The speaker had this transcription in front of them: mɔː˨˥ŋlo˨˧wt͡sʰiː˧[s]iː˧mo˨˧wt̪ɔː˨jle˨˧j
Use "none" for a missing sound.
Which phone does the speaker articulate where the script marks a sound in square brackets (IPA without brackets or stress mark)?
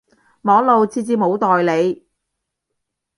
t͡s